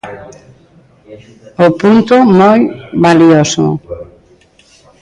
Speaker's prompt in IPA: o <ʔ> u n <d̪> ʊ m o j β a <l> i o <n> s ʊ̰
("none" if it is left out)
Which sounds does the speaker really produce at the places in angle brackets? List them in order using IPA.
p, t̪, l, none

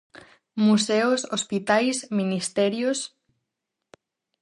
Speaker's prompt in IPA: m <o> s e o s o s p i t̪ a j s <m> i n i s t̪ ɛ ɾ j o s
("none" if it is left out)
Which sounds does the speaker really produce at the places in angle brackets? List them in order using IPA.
u, m

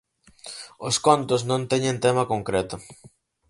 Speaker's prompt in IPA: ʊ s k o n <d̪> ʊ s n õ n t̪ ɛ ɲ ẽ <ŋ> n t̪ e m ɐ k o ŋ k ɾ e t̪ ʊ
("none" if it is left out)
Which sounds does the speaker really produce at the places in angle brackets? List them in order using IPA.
t̪, none

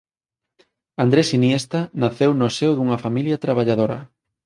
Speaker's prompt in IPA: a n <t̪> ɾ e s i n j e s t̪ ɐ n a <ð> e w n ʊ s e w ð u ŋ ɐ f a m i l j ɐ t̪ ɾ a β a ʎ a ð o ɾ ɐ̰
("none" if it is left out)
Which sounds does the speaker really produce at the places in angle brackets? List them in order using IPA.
d̪, θ

